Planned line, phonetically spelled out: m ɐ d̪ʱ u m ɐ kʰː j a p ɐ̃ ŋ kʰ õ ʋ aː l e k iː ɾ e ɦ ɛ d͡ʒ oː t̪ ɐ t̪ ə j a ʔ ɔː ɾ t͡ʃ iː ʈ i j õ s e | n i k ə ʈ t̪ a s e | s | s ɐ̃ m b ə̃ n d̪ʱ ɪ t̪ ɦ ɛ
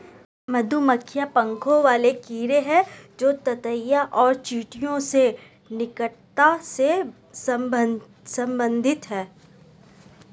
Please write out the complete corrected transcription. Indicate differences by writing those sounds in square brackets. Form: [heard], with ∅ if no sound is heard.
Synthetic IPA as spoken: m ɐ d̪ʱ u m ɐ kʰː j a p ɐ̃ ŋ kʰ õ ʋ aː l e k iː ɾ e ɦ ɛ d͡ʒ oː t̪ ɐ t̪ ə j a ʔ ɔː ɾ t͡ʃ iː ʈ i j õ s e | n [ɪ] k ə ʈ t̪ a s e | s | s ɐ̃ m b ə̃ n d̪ʱ ɪ t̪ ɦ [ɛː]